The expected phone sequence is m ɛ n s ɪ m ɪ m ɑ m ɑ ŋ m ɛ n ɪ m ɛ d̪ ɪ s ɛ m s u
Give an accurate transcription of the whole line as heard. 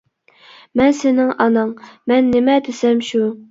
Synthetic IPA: m ɛ n s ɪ n ɪ ŋ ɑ n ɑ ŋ m ɛ nː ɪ m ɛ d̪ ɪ s ɛ m ʃ u